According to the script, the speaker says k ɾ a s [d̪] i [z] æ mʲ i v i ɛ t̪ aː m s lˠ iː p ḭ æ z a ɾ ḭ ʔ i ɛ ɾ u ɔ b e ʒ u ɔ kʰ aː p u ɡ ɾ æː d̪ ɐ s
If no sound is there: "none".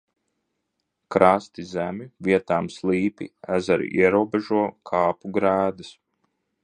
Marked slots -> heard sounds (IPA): t̪, z

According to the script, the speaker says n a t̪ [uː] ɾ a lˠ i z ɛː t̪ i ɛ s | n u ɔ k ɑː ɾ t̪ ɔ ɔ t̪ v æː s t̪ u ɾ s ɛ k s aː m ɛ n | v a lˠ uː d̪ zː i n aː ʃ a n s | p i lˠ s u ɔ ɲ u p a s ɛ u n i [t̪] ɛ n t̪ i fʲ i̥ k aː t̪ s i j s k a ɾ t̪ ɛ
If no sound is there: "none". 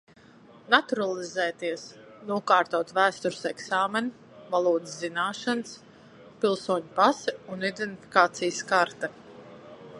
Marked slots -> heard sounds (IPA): u, d̪

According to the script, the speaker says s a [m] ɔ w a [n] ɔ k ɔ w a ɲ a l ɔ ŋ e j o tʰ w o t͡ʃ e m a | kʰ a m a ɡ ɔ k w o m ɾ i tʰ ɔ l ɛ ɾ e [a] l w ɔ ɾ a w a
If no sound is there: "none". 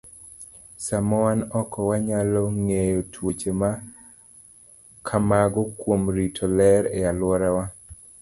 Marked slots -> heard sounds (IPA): m, n, a

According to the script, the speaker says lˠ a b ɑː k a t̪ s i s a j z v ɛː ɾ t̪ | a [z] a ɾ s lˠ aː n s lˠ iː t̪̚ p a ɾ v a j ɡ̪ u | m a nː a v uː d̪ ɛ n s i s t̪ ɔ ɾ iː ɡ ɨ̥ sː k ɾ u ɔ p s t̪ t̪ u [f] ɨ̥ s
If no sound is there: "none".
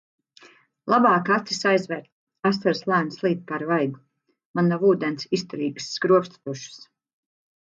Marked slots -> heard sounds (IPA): s, ʃ

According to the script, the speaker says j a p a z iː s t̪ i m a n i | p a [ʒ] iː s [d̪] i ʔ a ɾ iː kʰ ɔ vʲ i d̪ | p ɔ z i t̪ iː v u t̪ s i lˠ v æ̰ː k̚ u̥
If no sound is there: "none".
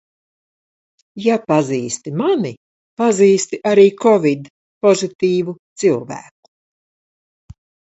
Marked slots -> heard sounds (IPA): z, t̪

